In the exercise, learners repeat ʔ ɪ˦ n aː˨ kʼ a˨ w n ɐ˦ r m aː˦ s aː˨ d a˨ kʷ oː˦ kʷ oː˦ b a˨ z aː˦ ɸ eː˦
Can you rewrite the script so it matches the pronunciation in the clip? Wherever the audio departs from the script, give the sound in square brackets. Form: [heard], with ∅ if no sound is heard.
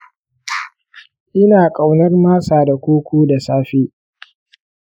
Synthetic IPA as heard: ʔ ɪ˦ n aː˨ kʼ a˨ w n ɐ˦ r m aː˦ s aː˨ d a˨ kʷ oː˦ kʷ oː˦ [d] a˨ [s] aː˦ ɸ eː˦